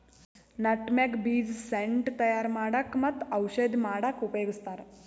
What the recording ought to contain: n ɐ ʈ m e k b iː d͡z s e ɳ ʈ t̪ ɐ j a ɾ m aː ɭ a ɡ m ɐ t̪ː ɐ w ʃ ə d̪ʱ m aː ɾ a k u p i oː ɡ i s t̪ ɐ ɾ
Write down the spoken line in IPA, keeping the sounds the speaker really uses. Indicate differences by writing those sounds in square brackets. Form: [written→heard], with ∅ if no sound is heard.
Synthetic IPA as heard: n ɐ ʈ m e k b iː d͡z s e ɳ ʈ t̪ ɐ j a ɾ m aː [ɭ→ɽ] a [ɡ→k] m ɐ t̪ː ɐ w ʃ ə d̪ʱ m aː [ɾ→ɽ] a k u p [i→j] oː ɡ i s t̪ [ɐ→a] ɾ